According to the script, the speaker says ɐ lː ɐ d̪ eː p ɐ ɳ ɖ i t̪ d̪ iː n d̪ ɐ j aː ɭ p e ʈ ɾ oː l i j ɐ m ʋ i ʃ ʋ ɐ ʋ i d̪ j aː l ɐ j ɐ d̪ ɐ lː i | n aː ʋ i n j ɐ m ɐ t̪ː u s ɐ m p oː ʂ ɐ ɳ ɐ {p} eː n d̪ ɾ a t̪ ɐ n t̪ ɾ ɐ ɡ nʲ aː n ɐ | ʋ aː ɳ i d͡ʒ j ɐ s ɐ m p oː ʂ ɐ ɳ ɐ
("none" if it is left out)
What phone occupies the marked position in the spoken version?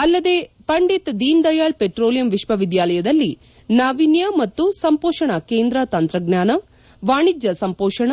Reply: k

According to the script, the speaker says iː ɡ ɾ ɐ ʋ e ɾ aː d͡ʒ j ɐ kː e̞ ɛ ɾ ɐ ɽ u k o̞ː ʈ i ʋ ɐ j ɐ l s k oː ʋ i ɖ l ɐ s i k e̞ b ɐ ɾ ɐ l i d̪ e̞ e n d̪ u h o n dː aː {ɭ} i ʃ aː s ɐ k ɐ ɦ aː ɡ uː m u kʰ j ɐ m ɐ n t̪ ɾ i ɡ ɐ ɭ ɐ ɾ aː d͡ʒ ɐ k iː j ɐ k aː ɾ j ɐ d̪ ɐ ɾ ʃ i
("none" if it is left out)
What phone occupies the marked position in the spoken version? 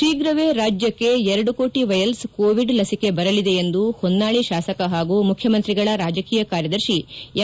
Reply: ɭ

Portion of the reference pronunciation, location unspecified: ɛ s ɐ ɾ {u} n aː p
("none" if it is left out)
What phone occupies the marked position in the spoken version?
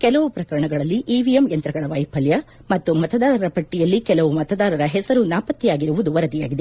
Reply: u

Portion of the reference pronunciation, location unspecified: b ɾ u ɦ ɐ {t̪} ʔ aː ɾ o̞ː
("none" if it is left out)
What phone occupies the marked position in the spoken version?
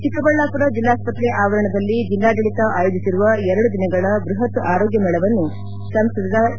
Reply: t̪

